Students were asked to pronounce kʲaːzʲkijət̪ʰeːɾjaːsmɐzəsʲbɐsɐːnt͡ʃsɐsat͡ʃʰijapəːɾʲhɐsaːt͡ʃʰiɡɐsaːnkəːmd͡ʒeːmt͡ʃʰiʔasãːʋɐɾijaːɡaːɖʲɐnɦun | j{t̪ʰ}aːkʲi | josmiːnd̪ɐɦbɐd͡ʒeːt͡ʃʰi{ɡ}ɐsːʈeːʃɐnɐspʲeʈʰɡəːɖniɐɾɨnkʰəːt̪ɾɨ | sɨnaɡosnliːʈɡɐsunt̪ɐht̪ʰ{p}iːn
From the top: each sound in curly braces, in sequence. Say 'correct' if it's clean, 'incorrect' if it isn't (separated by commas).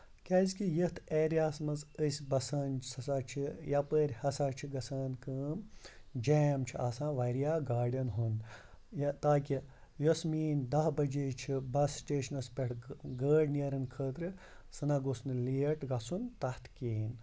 incorrect, incorrect, incorrect